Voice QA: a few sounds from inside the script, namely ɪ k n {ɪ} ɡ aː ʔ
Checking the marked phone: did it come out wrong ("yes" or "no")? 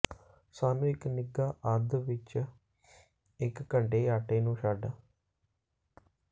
no